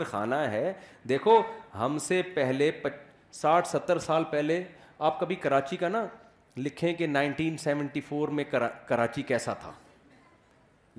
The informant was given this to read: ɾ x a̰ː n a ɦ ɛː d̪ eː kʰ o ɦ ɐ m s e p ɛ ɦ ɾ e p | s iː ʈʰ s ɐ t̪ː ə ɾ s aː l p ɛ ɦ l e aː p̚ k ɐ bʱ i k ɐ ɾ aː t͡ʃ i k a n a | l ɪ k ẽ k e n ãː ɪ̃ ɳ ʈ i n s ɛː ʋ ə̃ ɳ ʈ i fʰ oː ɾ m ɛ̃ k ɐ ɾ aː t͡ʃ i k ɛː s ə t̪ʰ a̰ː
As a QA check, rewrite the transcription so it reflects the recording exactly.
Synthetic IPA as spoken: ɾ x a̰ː n a ɦ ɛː d̪ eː kʰ o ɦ ɐ m s e p ɛ ɦ l e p | s aː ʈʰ s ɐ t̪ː ə ɾ s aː l p ɛ ɦ l e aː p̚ k ɐ bʱ i k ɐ ɾ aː t͡ʃ i k a n a | l ɪ kʰ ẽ k e n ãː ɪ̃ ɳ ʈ iː n s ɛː ʋ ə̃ ɳ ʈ i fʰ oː ɾ m ẽ k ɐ ɾ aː t͡ʃ i k ɛː s a t̪ʰ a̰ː